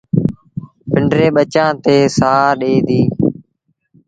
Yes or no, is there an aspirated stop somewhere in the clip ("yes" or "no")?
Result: no